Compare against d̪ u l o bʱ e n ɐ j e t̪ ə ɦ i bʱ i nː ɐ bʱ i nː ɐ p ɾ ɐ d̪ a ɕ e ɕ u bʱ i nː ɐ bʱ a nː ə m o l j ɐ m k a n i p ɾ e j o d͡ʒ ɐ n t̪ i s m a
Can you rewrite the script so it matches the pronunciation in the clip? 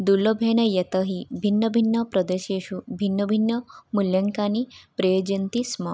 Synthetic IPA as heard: d̪ u l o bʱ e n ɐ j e t̪ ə ɦ i bʱ i nː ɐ bʱ i nː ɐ p ɾ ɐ d̪ e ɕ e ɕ u bʱ i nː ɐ bʱ i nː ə m u l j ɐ ŋ k a n i p ɾ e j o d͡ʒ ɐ n t̪ i s m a